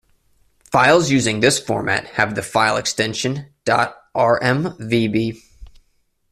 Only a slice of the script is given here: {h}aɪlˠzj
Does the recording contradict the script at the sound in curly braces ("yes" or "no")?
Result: yes